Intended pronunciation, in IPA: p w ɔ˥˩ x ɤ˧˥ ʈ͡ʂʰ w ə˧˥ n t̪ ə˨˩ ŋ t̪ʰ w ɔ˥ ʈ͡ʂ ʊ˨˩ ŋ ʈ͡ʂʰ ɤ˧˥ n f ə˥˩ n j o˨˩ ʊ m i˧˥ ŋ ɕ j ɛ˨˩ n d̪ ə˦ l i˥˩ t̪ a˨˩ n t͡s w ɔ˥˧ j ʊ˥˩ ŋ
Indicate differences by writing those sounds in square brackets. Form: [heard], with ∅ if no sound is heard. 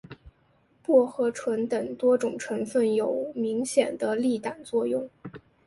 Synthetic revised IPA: p w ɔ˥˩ x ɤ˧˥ ʈ͡ʂʰ w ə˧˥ n t̪ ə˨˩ ŋ [t̪] w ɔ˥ ʈ͡ʂ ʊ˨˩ ŋ ʈ͡ʂʰ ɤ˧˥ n f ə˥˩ n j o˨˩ ʊ m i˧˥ ŋ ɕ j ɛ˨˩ n d̪ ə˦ l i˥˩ t̪ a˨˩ n t͡s w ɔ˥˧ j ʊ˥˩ ŋ